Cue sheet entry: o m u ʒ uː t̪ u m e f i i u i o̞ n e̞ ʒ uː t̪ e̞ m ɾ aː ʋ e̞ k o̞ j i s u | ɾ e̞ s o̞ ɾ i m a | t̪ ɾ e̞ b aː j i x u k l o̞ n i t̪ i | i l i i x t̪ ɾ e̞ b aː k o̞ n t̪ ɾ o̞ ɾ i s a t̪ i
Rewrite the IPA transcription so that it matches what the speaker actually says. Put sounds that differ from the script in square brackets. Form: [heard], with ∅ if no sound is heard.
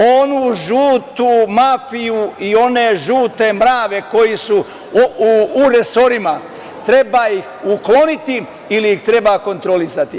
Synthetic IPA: o [n] u ʒ uː t̪ u m [a] f i [j] u i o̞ n e̞ ʒ uː t̪ e̞ m ɾ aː ʋ e̞ k o̞ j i s u | ɾ e̞ s o̞ ɾ i m a | t̪ ɾ e̞ b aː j i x u k l o̞ n i t̪ i | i l i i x t̪ ɾ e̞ b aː k o̞ n t̪ ɾ o̞ [l] i s a t̪ i